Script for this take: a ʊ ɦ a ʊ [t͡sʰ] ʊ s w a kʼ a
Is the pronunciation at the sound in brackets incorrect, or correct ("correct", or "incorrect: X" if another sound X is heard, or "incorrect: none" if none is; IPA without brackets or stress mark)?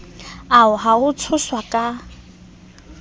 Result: correct